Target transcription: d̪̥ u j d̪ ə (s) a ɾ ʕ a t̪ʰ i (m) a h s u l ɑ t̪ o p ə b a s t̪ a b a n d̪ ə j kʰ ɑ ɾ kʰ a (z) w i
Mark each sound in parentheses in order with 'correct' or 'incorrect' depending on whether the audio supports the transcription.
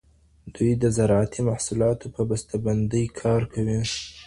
incorrect: z, correct, incorrect: none

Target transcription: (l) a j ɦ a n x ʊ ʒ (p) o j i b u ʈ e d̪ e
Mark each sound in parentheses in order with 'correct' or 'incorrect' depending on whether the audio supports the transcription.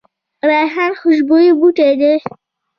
incorrect: ɾ, incorrect: b

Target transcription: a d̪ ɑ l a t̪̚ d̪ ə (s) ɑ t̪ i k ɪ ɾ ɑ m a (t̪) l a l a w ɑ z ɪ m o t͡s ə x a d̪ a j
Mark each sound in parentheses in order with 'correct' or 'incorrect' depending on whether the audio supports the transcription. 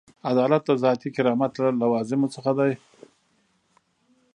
incorrect: z, correct

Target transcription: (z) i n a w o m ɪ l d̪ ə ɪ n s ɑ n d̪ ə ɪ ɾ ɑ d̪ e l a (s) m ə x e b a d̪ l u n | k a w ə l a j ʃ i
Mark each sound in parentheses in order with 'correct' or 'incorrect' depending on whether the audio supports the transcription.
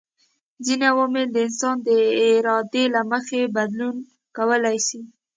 correct, incorrect: none

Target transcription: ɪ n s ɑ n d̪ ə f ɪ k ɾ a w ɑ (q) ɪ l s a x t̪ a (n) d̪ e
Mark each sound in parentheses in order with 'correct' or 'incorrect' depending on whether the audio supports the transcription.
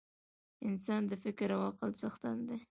correct, correct

